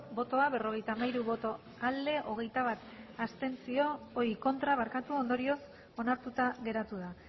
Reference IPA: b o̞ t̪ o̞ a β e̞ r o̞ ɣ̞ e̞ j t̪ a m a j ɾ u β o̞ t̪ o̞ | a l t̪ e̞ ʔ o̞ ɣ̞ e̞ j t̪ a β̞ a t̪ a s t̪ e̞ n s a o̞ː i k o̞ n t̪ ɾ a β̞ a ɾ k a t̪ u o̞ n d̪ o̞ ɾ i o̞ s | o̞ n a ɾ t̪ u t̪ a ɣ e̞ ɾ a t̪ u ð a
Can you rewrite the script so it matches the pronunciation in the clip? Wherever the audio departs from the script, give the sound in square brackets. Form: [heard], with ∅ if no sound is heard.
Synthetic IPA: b o̞ t̪ o̞ a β e̞ r o̞ ɣ̞ e̞ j t̪ a m a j ɾ u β o̞ t̪ o̞ | a l [d̪] e̞ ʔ o̞ ɣ̞ e̞ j t̪ a β̞ a t̪ a s t̪ e̞ n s [i] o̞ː i k o̞ n t̪ ɾ a β̞ a ɾ k a t̪ u o̞ n d̪ o̞ ɾ i o̞ s | o̞ n a ɾ t̪ u t̪ a ɣ e̞ ɾ a t̪ u ð a